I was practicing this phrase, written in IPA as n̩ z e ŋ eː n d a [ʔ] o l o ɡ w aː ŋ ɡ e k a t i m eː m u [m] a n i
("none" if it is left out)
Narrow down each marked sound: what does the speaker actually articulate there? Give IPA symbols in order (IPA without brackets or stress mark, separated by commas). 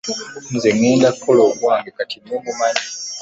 k, m